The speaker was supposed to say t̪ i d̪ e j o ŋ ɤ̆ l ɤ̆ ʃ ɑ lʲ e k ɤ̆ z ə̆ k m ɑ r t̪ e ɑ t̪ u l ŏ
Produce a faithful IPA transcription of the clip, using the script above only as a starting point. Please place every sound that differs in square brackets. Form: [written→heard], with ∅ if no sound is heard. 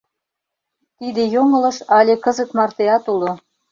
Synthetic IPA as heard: t̪ i d̪ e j o ŋ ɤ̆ l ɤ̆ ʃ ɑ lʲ e k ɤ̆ z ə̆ k m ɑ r t̪ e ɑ t̪ u l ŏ